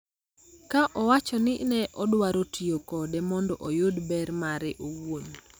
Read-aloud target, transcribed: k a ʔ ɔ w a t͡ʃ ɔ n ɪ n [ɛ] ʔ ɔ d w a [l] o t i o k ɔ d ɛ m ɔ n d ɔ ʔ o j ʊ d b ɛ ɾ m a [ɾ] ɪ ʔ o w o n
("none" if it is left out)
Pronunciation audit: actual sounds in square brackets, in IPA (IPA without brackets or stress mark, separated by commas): ɛ, ɾ, ɾ